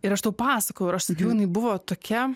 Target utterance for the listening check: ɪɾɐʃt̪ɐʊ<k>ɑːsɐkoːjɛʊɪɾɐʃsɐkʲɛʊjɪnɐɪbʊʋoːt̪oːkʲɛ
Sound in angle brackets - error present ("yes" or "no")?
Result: yes